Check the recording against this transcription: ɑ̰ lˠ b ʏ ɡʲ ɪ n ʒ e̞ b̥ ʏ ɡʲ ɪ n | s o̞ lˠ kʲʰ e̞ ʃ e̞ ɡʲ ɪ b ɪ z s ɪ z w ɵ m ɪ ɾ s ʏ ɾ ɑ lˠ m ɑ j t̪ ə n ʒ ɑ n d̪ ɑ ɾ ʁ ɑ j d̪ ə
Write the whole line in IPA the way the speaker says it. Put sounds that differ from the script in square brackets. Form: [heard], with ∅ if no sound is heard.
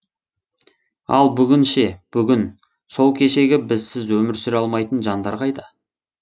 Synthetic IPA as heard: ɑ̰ lˠ b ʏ ɡʲ ɪ n [ʃ] e̞ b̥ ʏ ɡʲ ɪ n | s o̞ lˠ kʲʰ e̞ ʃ e̞ ɡʲ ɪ b ɪ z s ɪ z w ɵ m ɪ ɾ s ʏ ɾ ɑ lˠ m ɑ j t̪ ə n ʒ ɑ n d̪ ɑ ɾ ʁ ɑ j d̪ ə